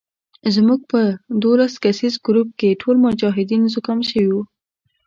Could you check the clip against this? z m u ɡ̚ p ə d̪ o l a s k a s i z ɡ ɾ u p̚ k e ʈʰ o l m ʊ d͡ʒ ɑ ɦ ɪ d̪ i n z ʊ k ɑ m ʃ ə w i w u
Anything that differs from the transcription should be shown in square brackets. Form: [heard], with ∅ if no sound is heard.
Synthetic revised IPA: z m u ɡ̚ p ə d̪ o l a s k a s i z ɡ ɾ u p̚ k e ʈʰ o l m ʊ d͡ʒ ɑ ɦ ɪ d̪ i n z ʊ k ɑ m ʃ ə w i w u